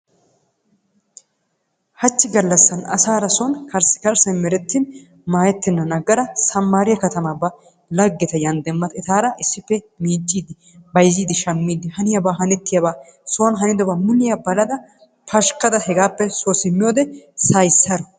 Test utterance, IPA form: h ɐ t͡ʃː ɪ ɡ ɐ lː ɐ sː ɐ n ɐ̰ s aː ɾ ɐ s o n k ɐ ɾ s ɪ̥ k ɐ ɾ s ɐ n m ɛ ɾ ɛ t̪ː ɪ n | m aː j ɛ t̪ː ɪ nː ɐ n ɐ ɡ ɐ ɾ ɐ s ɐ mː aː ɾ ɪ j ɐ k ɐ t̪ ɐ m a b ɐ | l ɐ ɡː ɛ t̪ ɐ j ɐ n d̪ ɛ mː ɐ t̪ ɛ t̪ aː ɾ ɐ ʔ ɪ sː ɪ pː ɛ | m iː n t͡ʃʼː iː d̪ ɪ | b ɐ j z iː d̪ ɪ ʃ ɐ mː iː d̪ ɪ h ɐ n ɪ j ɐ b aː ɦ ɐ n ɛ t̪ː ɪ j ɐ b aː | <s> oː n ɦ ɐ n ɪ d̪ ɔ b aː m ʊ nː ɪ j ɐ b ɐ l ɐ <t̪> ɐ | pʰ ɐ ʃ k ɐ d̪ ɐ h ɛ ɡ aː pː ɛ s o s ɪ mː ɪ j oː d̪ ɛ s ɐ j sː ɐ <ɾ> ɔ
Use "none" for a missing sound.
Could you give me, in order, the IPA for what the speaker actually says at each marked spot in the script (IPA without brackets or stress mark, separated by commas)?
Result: s, d̪, ɾ